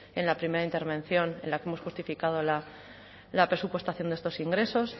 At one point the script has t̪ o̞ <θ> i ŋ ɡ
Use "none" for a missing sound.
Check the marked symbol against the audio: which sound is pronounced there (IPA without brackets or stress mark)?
s